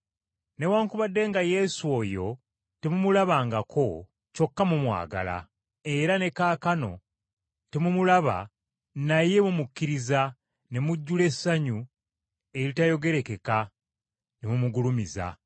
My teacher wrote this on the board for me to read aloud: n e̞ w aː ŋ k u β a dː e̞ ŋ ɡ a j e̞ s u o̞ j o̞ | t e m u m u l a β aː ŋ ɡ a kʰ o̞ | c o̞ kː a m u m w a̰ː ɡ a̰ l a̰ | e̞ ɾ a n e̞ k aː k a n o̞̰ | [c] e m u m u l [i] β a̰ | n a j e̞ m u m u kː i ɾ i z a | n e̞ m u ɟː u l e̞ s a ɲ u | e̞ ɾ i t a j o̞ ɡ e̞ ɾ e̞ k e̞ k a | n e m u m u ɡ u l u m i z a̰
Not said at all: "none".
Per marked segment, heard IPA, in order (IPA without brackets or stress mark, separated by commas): t, a